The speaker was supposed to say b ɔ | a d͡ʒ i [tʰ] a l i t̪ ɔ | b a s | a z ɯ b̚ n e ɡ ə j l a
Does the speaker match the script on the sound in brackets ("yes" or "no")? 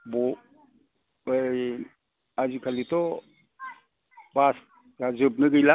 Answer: no